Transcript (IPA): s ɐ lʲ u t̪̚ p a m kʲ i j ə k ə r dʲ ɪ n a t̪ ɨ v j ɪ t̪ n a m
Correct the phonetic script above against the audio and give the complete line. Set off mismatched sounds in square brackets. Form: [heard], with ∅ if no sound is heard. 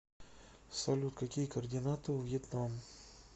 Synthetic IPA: s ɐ lʲ u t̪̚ [k] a [∅] kʲ i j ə k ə r dʲ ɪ n a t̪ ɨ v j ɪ t̪ n a m